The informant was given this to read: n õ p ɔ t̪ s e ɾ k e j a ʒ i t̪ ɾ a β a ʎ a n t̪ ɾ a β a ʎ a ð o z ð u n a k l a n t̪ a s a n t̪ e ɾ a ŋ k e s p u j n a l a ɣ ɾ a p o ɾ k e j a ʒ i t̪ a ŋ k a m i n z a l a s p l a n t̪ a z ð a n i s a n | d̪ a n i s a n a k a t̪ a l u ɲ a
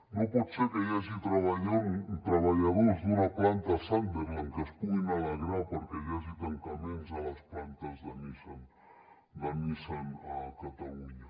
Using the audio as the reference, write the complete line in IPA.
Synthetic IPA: n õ p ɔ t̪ s e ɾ k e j a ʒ i t̪ ɾ a β a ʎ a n t̪ ɾ a β a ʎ a ð o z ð u n a p l a n t̪ a s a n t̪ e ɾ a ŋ k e s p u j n a l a ɣ ɾ a p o ɾ k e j a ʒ i t̪ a ŋ k a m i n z a l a s p l a n t̪ a z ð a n i s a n | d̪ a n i s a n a k a t̪ a l u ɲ a